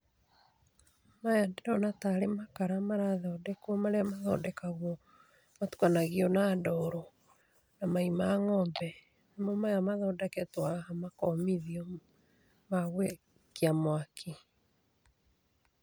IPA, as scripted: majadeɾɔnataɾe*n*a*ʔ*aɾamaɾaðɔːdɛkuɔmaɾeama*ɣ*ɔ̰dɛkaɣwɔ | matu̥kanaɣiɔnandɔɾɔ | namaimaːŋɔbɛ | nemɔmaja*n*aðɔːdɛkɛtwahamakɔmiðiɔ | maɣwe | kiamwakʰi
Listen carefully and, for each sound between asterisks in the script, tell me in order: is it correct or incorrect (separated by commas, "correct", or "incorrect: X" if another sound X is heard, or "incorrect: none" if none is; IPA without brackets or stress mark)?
incorrect: m, incorrect: k, incorrect: ð, incorrect: m